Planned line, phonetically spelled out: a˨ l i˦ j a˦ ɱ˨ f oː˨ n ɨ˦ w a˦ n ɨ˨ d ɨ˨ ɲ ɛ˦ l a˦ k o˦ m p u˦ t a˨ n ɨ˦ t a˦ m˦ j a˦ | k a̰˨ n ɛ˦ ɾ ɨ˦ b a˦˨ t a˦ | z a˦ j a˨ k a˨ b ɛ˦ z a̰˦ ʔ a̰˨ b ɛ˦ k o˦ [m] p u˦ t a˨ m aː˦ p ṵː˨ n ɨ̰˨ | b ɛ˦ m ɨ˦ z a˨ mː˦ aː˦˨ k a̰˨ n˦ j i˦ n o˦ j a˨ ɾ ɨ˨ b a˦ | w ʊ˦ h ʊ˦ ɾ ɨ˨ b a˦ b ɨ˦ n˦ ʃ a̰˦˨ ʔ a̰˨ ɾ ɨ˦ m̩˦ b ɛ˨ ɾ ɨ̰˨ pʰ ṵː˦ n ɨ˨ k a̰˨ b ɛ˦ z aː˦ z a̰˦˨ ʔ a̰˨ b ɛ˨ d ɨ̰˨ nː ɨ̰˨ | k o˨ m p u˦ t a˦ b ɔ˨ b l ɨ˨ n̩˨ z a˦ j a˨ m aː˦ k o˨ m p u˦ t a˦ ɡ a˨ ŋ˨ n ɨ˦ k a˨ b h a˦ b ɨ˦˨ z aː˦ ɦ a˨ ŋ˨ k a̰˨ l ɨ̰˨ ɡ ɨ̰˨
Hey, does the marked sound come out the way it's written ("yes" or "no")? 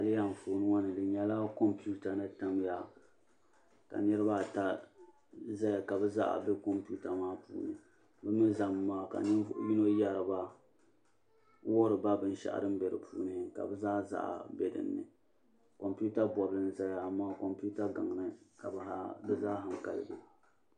yes